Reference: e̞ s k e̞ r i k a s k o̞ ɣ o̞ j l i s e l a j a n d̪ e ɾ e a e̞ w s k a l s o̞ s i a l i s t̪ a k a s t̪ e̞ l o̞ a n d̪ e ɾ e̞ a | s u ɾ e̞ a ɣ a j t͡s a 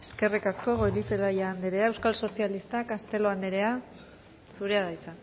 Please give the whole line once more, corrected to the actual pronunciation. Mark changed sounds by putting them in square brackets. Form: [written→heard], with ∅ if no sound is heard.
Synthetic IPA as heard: e̞ s k e̞ r i k a s k o̞ ɣ o̞ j l i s e l a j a n d̪ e ɾ e a e̞ w s k a l s o̞ s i a l i s t̪ a k a s t̪ e̞ l o̞ a n d̪ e ɾ e̞ a | s u ɾ e̞ a [ɣ→ð] a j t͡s a